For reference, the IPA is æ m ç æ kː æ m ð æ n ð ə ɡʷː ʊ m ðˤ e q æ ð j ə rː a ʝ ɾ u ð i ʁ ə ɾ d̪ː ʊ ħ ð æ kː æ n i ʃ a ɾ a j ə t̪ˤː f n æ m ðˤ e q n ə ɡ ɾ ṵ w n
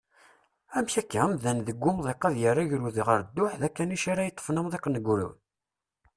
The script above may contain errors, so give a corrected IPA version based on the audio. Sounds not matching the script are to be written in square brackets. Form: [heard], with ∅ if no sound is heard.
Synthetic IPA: æ m ç æ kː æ m ð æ n ð ə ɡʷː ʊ m ðˤ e q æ ð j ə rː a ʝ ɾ u ð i ʁ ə ɾ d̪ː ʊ ħ ð æ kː æ n i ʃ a ɾ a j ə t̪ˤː f n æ m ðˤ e q n ə ɡ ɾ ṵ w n